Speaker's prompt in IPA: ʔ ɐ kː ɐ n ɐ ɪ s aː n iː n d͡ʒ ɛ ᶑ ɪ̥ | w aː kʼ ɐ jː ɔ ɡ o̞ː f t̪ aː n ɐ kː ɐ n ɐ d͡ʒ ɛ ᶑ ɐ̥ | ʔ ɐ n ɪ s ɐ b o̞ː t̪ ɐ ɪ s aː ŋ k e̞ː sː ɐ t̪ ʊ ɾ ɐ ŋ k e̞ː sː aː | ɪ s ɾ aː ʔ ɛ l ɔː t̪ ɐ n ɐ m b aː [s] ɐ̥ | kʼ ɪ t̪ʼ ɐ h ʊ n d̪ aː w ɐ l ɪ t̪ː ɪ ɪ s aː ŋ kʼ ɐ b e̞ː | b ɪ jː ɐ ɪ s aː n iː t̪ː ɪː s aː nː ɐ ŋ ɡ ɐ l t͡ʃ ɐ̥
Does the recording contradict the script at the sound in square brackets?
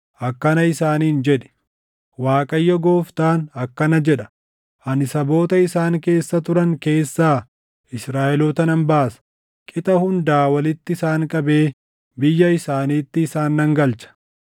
no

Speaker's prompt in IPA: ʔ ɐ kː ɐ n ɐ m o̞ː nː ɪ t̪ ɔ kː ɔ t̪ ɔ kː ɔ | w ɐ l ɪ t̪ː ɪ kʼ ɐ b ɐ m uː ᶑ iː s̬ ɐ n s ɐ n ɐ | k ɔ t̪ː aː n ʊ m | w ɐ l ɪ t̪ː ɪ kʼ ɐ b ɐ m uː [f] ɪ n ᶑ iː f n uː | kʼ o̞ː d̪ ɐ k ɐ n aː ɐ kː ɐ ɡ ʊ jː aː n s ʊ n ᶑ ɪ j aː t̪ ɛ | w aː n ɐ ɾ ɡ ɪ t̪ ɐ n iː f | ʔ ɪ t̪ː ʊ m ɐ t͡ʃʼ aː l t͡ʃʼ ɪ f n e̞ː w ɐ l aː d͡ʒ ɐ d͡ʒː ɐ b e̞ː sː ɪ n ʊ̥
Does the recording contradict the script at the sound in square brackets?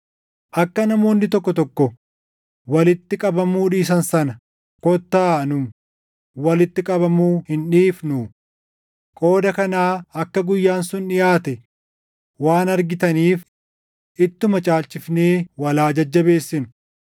yes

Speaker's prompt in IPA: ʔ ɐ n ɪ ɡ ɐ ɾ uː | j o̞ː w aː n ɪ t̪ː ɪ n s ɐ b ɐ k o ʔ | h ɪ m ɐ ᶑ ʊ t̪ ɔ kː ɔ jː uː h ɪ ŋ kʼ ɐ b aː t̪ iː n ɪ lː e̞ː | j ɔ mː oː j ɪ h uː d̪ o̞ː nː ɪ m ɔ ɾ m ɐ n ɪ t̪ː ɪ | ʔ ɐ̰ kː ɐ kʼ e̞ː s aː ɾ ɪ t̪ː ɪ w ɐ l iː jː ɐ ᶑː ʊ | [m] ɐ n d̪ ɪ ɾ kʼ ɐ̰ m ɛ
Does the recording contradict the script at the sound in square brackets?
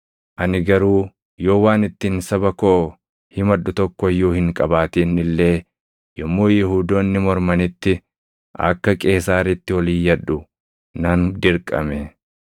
yes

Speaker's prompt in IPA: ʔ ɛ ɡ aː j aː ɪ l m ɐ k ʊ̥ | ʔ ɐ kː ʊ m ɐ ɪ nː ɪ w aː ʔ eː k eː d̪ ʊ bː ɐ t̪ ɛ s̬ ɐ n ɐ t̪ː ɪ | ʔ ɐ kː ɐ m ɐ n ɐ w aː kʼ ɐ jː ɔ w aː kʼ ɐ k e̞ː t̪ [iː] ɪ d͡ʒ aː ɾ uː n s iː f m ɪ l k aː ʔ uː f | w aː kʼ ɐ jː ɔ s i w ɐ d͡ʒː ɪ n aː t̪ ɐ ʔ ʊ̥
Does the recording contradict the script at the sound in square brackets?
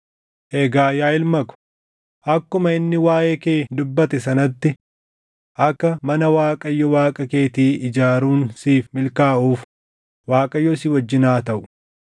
no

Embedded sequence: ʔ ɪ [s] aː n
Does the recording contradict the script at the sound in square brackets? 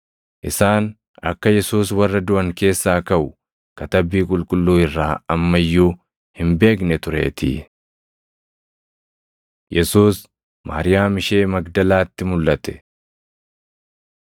no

